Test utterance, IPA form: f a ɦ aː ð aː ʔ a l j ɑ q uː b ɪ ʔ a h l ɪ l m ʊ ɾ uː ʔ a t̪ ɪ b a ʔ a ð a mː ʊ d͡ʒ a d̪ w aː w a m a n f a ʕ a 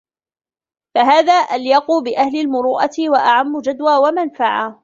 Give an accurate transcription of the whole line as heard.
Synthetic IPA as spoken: f a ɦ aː ð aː ʔ a l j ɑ q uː b ɪ ʔ a h l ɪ l m ʊ ɾ uː ʔ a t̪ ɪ w a ʔ a ʕ a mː ʊ d͡ʒ a d̪ w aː w a m a n f a ʕ a